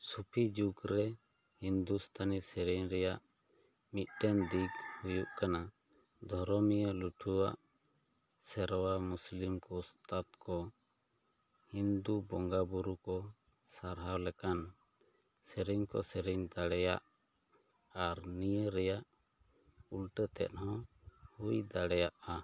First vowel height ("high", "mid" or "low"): high